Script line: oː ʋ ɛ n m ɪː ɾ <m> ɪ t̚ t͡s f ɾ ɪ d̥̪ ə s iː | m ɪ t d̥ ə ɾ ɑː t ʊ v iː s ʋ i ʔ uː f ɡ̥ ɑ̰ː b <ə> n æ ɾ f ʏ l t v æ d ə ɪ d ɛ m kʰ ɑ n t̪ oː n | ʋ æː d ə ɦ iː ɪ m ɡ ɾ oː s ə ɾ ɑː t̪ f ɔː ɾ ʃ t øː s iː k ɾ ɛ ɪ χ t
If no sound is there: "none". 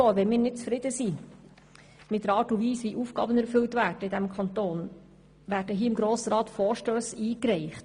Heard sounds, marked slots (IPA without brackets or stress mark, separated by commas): n, ə